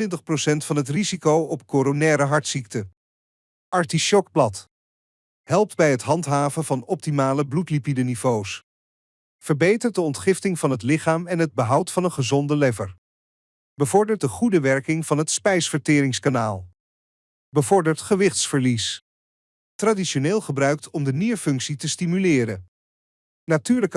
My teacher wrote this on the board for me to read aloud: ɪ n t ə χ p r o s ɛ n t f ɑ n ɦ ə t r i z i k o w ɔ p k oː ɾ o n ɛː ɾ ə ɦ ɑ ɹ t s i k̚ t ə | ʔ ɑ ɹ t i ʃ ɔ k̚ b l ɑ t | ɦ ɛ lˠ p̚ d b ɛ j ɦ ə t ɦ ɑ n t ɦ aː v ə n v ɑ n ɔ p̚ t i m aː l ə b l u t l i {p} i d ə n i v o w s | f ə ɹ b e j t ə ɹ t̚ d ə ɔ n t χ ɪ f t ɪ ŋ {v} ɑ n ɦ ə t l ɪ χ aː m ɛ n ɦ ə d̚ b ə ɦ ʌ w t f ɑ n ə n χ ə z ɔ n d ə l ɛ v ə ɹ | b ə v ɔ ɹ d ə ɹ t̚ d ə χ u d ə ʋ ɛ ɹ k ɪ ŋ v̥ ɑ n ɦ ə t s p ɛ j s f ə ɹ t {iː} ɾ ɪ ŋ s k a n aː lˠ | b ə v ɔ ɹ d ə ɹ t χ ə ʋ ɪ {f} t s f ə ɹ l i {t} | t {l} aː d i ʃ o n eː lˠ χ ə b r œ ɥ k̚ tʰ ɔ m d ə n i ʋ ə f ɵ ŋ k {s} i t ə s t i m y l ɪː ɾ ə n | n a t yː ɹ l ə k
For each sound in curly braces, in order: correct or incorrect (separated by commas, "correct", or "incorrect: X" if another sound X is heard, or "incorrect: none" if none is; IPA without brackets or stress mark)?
correct, correct, incorrect: ɪː, incorrect: χ, incorrect: s, incorrect: r, correct